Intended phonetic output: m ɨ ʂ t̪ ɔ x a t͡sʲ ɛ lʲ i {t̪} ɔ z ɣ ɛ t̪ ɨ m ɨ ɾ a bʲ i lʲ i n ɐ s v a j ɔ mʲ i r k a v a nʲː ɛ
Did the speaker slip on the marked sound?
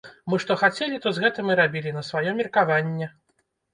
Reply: no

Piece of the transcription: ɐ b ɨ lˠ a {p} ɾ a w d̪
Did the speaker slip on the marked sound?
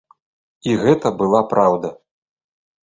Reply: no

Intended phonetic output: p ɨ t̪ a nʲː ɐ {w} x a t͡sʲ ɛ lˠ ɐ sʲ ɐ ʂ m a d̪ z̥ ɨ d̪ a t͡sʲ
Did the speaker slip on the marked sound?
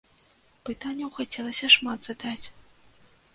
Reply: no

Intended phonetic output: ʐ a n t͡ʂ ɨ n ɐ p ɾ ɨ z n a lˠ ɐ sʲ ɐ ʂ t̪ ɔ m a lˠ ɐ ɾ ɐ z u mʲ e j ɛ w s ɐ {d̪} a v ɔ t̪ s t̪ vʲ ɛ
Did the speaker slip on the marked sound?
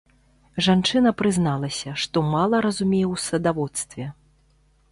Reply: no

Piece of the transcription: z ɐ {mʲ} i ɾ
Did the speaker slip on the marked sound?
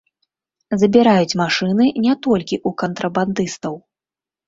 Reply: yes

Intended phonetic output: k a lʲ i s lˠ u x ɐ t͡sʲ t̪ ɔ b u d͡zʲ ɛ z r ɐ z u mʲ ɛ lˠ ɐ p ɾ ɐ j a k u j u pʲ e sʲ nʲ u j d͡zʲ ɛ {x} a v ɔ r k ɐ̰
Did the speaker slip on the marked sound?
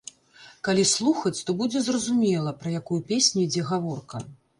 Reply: yes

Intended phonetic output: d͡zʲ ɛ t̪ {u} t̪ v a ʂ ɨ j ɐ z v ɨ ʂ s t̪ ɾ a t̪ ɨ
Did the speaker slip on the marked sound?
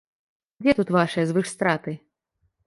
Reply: no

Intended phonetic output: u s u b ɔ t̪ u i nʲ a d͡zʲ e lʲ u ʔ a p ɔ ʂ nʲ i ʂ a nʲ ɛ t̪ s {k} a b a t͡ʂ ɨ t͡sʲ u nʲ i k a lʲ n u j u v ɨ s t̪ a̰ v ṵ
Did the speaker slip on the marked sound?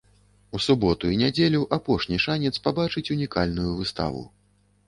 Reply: yes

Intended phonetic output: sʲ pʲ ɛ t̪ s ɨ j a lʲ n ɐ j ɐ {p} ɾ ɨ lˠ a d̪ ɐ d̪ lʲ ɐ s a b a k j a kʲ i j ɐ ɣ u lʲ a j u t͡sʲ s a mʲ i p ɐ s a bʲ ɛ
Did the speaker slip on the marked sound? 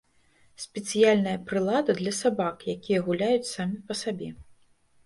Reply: no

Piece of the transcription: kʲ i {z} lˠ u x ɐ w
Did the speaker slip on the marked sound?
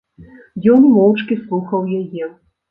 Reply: yes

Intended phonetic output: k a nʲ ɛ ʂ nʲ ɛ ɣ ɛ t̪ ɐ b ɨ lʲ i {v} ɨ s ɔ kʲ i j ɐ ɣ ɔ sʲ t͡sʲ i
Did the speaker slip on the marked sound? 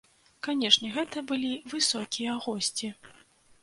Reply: no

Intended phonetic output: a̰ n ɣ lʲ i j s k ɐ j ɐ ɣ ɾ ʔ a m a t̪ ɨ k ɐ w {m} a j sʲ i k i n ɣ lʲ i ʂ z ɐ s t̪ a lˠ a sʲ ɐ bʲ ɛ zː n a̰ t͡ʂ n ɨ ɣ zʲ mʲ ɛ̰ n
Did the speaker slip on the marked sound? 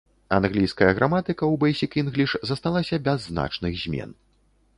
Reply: yes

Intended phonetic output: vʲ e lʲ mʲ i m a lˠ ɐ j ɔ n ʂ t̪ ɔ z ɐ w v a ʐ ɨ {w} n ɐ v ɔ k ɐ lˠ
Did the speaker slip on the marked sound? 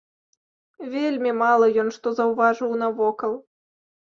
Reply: no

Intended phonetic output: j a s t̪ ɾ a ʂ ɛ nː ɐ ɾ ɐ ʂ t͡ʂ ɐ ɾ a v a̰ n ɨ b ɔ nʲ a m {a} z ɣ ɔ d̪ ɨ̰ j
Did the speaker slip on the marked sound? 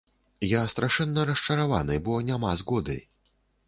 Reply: no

